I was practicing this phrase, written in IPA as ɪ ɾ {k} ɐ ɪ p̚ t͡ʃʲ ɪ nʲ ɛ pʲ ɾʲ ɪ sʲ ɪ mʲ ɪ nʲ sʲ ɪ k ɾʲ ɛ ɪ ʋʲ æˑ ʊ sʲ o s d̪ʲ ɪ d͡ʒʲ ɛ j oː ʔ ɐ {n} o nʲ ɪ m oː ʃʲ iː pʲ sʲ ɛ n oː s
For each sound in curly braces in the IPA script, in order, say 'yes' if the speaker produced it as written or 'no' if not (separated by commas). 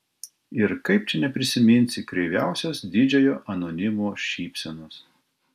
yes, yes